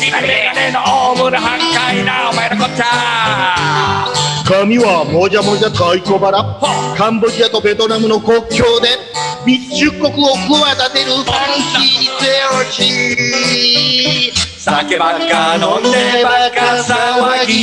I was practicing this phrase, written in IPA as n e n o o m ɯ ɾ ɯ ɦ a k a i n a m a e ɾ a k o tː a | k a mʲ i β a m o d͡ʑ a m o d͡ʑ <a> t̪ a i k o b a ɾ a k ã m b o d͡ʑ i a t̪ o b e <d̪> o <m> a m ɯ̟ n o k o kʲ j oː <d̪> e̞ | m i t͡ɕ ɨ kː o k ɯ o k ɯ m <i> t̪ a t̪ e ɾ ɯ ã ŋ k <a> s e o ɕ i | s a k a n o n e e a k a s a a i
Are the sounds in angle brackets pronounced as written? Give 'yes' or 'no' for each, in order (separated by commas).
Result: yes, no, no, yes, no, no